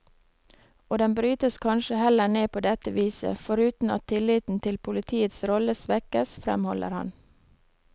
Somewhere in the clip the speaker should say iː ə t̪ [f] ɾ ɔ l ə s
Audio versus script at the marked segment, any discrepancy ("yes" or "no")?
yes